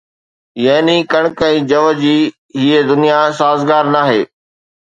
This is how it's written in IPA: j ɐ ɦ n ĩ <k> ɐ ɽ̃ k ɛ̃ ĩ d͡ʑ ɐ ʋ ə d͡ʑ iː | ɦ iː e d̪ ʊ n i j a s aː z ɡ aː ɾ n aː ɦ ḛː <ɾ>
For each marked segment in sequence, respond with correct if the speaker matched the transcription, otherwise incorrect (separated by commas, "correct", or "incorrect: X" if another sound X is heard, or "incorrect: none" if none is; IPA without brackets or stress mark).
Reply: correct, incorrect: none